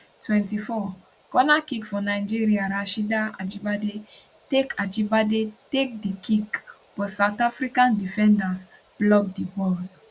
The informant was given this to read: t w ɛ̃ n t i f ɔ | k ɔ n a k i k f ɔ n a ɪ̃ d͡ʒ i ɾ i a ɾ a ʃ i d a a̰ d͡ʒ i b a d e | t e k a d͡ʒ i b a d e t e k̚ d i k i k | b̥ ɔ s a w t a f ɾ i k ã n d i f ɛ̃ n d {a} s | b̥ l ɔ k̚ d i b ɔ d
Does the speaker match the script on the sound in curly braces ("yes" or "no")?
yes